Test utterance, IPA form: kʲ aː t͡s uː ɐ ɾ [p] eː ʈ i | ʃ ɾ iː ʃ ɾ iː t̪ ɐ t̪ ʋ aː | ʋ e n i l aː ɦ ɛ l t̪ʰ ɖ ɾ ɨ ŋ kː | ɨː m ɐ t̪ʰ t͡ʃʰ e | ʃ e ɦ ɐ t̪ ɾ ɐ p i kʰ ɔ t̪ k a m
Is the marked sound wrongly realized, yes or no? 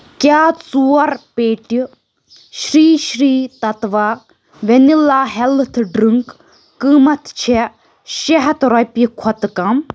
no